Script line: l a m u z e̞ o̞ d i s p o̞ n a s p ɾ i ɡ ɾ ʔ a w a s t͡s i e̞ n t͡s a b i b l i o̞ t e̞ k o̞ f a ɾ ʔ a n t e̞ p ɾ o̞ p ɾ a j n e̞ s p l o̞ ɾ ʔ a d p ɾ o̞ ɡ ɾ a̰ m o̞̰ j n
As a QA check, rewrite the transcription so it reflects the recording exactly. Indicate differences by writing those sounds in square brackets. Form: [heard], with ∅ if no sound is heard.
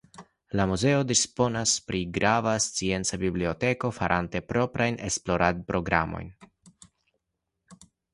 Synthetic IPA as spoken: l a m u z e̞ o̞ d i s p o̞ n a s p ɾ i ɡ ɾ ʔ a [v] a s t͡s i e̞ n t͡s a b i b l i o̞ t e̞ k o̞ f a ɾ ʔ a n t e̞ p ɾ o̞ p ɾ a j n e̞ s p l o̞ ɾ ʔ a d p ɾ o̞ ɡ ɾ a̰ m o̞̰ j n